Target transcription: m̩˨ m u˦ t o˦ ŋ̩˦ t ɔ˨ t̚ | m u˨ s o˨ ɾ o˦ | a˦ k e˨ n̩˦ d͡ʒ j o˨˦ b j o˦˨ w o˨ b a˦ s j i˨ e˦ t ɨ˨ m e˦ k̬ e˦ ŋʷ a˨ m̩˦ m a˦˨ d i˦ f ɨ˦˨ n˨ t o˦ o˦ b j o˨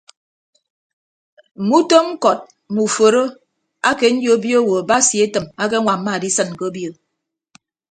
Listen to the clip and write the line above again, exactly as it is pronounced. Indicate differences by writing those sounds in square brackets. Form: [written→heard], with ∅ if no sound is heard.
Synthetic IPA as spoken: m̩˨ m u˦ t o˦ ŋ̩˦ [t→k] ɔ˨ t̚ | m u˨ [s→f] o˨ ɾ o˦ | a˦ k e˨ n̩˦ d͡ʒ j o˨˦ b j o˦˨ w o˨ b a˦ s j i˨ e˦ t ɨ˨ m [e˦→a˦] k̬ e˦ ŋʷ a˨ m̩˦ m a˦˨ d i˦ [f→s] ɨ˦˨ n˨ [t→k] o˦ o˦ b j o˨